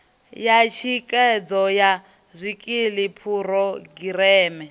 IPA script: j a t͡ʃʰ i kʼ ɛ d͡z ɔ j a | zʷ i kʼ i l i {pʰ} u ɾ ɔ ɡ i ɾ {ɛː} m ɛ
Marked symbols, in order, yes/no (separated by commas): yes, yes